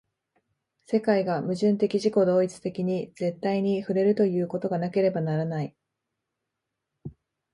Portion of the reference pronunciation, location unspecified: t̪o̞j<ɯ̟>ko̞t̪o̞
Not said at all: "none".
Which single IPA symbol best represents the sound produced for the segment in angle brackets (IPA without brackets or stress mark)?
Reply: ɯ̟ː